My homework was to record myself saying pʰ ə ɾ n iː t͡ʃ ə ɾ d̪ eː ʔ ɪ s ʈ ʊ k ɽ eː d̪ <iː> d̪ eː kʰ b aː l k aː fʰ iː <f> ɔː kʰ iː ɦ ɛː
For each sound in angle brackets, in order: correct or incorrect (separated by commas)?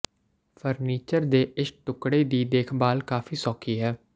correct, incorrect